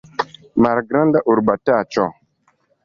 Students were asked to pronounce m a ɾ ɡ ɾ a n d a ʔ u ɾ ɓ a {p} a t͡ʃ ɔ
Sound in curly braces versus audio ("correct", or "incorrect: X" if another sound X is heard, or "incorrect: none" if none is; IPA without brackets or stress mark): incorrect: t